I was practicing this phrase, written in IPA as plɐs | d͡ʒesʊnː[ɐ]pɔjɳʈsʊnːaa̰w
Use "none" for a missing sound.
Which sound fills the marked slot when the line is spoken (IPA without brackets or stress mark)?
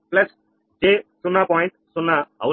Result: a